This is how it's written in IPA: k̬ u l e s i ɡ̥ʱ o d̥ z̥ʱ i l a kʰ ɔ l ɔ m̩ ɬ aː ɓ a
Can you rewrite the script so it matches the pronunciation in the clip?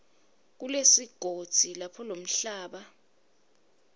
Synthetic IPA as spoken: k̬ u l e s i ɡ̥ʱ o d̥ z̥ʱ i l a pʰ ɔ l o m̩ ɬ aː ɓ a

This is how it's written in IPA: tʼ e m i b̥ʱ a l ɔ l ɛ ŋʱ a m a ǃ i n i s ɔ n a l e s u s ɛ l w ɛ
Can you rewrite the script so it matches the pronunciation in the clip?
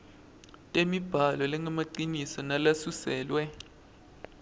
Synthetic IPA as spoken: tʼ e m i b̥ʱ a l ɔ l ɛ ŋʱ a m a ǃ i n i s ɔ n a l a s u s ɛː l w ɛ

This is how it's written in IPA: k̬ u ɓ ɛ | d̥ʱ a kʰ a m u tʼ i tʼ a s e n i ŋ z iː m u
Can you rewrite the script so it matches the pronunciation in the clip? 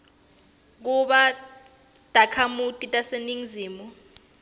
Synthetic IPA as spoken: k̬ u ɓ a | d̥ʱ a kʰ a m u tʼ i tʼ a s e n i ŋ z iː m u

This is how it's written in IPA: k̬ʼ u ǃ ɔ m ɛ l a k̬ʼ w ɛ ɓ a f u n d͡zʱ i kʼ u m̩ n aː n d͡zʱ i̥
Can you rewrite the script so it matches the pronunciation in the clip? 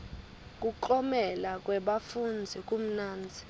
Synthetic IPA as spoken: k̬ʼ u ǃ ɔ m ɛ l a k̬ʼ w ɛ ɓ a f u n d͡zʱ i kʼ u m̩ n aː n d͡zʱ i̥

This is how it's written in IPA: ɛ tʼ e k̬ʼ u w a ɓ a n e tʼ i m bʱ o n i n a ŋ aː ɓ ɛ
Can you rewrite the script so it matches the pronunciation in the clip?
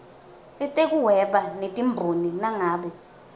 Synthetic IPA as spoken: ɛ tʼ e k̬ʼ u w ɛ ɓ a n e tʼ i m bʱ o n i n a ŋ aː ɓ ɛ

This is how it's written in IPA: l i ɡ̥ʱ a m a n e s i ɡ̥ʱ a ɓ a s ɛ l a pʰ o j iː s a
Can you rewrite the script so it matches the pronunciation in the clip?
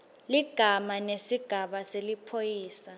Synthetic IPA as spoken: l i ɡ̥ʱ a m a n e s i ɡ̥ʱ a ɓ a s e l i pʰ o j iː s a

